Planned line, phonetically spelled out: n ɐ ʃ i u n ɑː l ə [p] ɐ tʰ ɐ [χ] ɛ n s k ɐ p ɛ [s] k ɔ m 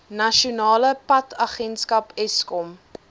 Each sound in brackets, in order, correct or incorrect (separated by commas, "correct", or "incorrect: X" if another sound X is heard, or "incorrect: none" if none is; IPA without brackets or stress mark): correct, correct, correct